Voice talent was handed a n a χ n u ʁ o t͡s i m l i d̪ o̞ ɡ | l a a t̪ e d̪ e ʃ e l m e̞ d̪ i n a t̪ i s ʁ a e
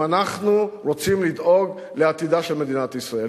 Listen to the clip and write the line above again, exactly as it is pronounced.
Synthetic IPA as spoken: a n a χ n u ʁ o t͡s i m l i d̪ o̞ ɡ | l e a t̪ i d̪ a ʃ e l m e̞ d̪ i n a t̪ i s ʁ a e